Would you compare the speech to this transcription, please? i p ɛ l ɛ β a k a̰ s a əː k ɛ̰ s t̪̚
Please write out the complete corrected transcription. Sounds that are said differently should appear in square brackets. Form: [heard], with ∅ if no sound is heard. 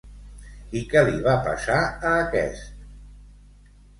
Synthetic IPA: i [k] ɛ l [i] β a [p] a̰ s a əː k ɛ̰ s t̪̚